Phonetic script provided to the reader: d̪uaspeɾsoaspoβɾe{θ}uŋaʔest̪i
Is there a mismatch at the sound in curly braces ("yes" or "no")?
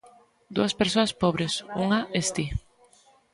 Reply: yes